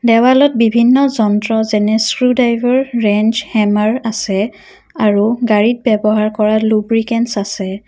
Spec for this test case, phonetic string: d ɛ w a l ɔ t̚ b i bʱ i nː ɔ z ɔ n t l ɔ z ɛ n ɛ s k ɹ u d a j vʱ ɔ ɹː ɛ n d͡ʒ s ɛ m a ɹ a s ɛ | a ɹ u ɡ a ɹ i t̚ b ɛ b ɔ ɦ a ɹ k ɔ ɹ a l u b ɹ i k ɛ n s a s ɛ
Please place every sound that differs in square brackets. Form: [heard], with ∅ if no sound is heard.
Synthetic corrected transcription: d ɛ w a l ɔ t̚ b i bʱ i nː ɔ z ɔ n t [ɹ] ɔ z ɛ n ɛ s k ɹ u d a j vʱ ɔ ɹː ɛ n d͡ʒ [h] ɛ m a ɹ a s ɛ | a ɹ u ɡ a ɹ i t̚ b ɛ b ɔ ɦ a ɹ k ɔ ɹ a l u b ɹ i k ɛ n s a s ɛ